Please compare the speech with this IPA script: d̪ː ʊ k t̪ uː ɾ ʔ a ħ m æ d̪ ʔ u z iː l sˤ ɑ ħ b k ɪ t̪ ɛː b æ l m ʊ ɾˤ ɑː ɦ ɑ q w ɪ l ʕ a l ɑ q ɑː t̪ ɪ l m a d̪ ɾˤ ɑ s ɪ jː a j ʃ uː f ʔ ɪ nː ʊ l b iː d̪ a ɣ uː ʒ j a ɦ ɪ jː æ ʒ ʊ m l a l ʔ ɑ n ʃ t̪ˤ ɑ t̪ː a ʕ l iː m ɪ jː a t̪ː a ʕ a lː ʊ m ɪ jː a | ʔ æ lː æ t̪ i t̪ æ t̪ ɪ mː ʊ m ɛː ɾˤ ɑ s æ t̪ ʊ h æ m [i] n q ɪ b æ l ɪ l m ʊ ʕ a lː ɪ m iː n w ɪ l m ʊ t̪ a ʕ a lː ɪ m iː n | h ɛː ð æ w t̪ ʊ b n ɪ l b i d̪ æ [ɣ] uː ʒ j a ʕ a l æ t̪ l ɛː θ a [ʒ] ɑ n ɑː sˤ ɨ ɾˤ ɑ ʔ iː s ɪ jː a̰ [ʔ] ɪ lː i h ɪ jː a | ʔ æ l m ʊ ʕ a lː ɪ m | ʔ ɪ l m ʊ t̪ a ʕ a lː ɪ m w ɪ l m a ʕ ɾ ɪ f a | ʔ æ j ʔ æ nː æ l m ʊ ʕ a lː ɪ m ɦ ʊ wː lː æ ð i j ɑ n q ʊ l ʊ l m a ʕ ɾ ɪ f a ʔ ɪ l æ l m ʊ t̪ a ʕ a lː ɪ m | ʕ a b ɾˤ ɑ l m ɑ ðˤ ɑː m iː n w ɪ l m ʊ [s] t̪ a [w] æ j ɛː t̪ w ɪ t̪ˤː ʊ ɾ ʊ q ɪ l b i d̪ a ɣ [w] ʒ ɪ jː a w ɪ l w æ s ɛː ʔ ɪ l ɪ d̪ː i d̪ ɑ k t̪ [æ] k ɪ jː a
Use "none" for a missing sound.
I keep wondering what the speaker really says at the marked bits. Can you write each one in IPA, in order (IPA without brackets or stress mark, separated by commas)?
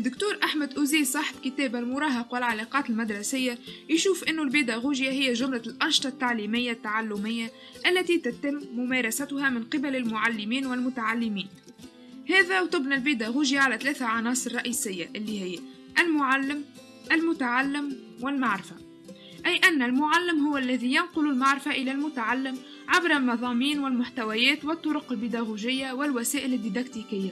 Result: ɪ, ɣ, ʕ, ʔ, ħ, w, u, i